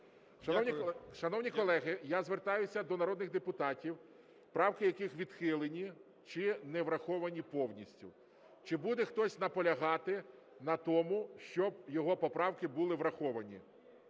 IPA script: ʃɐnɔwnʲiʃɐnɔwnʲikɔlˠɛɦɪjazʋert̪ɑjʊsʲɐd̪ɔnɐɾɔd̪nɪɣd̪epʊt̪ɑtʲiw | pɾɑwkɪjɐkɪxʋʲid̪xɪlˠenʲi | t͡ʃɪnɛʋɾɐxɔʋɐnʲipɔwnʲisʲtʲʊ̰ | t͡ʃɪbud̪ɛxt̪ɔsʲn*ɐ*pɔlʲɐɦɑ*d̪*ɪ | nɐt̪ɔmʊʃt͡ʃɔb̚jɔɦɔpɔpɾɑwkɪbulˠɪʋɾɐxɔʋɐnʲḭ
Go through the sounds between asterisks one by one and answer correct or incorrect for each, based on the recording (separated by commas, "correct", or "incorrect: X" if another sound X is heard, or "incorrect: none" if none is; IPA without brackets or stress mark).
correct, incorrect: t̪